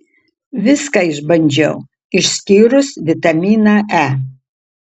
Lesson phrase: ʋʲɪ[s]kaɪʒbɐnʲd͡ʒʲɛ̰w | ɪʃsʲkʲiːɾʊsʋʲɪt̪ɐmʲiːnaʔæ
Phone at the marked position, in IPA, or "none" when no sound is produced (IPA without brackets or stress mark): s